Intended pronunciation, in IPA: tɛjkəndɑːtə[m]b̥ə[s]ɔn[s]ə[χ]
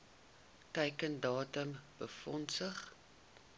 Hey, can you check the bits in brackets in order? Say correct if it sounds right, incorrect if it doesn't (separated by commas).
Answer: correct, incorrect, correct, correct